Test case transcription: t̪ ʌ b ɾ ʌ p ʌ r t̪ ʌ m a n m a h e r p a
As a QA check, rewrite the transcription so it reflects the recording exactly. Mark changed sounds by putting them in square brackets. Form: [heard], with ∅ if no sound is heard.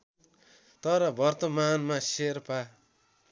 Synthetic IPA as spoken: t̪ ʌ [∅] ɾ ʌ [b] ʌ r t̪ ʌ m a n m a [s] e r p a